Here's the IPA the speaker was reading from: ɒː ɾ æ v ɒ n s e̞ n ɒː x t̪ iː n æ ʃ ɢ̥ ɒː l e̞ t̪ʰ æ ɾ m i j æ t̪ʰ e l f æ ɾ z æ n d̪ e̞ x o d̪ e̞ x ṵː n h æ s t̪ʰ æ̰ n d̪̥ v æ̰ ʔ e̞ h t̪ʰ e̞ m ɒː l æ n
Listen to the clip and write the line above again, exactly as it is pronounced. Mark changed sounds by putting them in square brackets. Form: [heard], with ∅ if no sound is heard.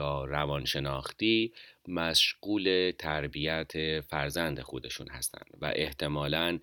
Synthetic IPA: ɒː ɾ æ v ɒ n [ʃ] e̞ n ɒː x t̪ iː [m] æ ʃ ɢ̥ [uː] l e̞ t̪ʰ æ ɾ [b] i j æ t̪ʰ e [∅] f æ ɾ z æ n d̪ e̞ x o d̪ e̞ [ʃ] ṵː n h æ s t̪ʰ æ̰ n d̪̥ v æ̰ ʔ e̞ h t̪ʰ e̞ m ɒː l æ n